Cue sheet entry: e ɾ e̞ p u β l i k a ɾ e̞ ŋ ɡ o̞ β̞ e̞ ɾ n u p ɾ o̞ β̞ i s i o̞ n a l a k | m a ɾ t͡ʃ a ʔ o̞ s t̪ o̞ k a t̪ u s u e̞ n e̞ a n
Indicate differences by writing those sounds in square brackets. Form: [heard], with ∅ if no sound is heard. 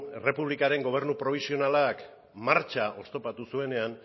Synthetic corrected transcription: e [r] e̞ p u β l i k a ɾ e̞ ŋ ɡ o̞ β̞ e̞ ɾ n u p ɾ o̞ β̞ i s i o̞ n a l a k | m a ɾ t͡ʃ a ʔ o̞ s t̪ o̞ [p] a t̪ u s u e̞ n e̞ a n